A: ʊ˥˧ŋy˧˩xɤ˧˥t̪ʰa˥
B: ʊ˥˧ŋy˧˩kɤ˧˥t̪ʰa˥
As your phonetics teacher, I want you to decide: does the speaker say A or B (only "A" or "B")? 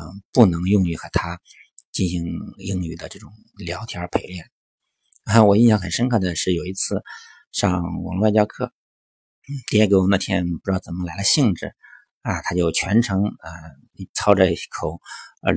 A